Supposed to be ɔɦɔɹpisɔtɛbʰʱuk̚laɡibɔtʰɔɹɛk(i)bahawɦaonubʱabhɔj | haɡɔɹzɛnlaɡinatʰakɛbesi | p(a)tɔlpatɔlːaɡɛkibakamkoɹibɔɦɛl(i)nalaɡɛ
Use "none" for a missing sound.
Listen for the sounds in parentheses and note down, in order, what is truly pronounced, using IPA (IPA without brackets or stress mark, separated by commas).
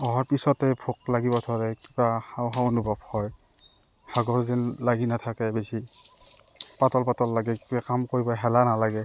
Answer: i, a, a